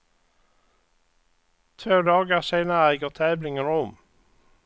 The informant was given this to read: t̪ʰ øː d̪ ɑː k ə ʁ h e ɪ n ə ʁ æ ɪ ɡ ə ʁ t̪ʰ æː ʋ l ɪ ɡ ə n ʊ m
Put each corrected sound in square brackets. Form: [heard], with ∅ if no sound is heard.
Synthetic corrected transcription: t̪ʰ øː d̪ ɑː [ɡ] ə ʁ [s] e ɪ n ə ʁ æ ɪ ɡ ə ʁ t̪ʰ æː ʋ l ɪ [ŋ] ə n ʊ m